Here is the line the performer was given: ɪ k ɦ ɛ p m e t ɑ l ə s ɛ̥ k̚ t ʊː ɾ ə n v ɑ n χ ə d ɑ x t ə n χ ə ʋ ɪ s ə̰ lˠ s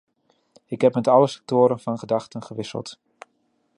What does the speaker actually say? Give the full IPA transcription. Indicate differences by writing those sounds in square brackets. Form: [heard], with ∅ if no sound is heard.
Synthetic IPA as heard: ɪ k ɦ ɛ p m [ɛ] t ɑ l ə s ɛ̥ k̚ t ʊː ɾ ə n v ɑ n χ ə d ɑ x t ə n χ ə ʋ ɪ s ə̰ lˠ [t]